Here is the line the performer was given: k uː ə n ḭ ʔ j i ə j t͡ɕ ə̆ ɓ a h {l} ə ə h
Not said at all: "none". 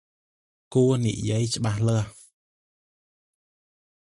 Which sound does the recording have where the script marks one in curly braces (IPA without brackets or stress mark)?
l